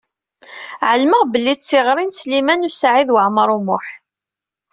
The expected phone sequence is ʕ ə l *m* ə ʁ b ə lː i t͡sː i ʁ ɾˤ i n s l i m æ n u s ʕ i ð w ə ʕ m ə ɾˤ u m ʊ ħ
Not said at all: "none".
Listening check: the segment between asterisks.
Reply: m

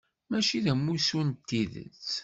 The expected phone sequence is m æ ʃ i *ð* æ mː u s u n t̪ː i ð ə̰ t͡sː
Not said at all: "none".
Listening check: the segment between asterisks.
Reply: ð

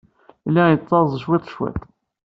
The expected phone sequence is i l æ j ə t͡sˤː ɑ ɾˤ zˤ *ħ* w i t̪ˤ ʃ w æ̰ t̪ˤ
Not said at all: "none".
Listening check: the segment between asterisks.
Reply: ʃ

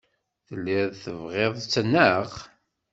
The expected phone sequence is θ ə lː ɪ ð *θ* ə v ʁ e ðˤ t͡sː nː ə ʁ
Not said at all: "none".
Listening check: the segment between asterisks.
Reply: θ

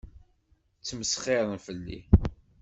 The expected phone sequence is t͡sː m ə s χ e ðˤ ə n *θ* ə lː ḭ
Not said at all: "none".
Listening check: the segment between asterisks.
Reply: f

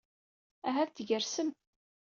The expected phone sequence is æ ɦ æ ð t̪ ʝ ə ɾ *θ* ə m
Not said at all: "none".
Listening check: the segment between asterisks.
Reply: s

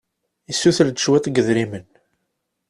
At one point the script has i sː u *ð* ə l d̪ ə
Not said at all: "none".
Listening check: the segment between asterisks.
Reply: θ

